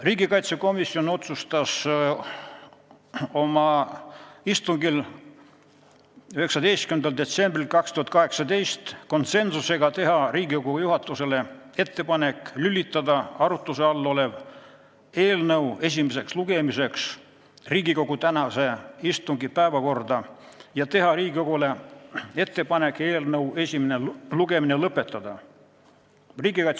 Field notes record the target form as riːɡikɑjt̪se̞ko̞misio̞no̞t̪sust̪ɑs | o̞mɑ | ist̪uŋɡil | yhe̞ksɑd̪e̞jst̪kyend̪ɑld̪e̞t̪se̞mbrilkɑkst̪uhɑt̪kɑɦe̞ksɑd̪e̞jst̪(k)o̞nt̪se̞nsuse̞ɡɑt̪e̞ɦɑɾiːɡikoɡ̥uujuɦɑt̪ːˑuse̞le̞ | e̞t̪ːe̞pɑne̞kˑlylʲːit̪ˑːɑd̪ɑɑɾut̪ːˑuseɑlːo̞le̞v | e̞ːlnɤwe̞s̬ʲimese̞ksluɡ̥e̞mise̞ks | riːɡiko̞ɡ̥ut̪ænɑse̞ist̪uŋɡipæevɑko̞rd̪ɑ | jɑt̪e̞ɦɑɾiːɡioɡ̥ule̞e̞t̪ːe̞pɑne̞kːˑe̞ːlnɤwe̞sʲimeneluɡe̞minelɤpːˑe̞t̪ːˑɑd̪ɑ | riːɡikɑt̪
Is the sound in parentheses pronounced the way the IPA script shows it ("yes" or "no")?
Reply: yes